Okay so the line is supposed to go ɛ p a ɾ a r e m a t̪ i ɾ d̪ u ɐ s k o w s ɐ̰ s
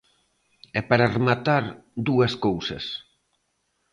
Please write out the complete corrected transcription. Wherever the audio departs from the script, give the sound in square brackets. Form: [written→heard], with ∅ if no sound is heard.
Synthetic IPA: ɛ p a ɾ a r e m a t̪ [i→a] ɾ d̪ u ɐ s k o w s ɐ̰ s